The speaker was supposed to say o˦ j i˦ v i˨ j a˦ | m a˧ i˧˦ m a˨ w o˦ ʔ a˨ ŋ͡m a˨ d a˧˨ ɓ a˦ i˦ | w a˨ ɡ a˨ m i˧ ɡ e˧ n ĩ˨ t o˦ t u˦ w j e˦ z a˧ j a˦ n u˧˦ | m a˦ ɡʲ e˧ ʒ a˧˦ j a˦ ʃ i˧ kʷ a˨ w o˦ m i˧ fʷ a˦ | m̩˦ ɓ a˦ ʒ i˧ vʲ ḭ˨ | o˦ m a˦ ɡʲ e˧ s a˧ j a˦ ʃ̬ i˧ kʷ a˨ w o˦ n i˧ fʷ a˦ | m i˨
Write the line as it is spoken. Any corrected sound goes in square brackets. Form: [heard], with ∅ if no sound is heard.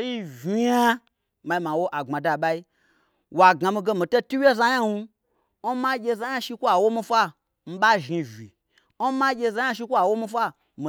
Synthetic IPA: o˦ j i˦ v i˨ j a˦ | m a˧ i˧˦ m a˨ w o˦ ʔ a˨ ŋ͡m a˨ d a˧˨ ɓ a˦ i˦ | w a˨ ɡ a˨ m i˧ ɡ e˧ [m] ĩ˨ t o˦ t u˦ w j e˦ z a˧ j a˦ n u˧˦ | m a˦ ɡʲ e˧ [z] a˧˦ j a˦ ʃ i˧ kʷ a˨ w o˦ m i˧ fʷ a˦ | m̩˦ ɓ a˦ ʒ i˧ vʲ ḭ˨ | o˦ m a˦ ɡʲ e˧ [z] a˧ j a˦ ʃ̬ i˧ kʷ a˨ w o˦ [m] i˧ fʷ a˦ | m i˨